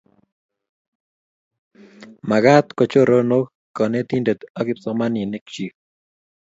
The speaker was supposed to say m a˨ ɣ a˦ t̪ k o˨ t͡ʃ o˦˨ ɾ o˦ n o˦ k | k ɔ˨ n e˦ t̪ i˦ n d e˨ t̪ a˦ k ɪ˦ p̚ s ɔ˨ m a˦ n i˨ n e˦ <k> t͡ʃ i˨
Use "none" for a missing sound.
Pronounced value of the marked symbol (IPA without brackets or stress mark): k